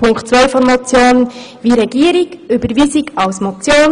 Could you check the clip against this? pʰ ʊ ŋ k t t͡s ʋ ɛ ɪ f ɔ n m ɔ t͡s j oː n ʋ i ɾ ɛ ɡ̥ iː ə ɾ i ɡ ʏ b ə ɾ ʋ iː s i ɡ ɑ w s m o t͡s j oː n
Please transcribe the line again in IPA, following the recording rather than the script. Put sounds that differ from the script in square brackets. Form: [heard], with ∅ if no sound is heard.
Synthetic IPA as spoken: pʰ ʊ ŋ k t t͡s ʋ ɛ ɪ f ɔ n m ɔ t͡s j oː n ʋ i ɾ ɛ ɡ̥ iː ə ɾ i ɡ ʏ b ə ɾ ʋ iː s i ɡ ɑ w s m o t͡s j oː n